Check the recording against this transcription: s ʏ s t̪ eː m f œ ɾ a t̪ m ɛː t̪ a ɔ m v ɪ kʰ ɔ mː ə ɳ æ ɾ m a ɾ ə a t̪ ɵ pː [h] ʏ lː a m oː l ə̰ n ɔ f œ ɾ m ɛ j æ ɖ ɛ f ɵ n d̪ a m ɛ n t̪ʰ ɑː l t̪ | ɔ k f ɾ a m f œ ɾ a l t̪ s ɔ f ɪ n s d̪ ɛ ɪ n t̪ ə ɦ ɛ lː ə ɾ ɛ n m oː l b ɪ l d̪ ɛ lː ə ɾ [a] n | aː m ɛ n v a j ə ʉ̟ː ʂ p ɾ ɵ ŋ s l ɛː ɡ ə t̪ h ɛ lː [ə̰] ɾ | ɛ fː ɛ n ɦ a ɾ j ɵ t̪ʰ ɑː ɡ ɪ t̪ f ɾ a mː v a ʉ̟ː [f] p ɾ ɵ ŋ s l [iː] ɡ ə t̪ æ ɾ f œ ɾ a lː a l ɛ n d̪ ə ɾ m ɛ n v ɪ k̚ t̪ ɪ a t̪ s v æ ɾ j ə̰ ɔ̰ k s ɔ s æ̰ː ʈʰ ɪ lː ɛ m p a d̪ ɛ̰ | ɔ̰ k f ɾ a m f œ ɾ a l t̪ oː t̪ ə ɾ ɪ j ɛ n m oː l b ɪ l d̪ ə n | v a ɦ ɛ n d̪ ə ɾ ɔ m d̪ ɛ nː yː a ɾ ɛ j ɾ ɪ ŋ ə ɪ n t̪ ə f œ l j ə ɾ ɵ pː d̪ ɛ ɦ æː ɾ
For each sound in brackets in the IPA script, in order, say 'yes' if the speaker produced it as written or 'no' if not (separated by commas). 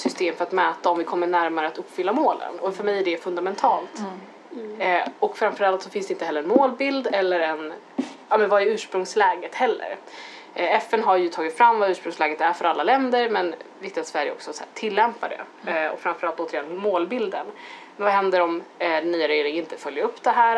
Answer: no, no, yes, no, no